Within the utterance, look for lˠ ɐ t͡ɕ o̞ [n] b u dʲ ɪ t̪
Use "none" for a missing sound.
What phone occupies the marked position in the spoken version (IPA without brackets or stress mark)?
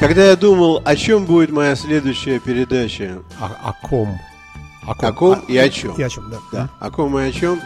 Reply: m